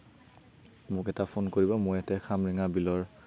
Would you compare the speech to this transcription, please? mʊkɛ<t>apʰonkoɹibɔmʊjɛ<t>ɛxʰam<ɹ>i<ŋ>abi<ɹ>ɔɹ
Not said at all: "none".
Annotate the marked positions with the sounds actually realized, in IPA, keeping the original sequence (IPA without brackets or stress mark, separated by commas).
t, t, ɹ, ŋ, l